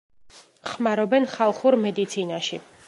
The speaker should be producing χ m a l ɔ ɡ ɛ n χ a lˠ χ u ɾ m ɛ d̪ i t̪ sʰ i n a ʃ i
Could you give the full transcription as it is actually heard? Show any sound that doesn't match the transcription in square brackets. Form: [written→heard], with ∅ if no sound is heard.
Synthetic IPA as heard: χ m a [l→ɾ] ɔ [ɡ→b] ɛ n χ a lˠ χ u ɾ m ɛ d̪ i t̪ sʰ i n a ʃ i